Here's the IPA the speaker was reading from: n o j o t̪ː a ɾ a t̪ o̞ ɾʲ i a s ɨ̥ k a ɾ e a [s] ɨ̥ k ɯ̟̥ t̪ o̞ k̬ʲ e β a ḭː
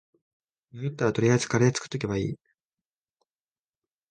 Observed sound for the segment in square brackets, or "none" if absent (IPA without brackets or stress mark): t͡s